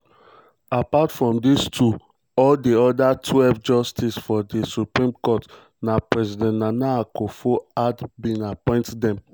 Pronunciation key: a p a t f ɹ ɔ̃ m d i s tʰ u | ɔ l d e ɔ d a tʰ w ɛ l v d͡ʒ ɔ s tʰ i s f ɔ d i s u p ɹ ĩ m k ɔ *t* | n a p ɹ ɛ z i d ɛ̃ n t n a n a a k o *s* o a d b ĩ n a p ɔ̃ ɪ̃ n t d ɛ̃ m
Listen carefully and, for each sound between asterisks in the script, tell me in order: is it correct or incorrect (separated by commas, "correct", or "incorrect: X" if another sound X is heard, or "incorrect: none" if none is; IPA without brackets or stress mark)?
correct, incorrect: f